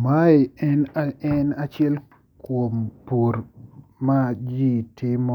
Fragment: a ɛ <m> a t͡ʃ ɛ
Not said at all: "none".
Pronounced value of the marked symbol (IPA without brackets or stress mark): n